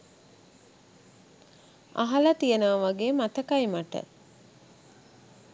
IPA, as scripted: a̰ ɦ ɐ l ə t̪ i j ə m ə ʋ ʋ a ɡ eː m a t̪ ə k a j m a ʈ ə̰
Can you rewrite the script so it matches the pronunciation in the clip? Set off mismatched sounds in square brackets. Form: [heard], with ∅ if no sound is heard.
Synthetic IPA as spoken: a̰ ɦ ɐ l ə t̪ i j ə [n] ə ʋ ʋ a ɡ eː m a t̪ ə k a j m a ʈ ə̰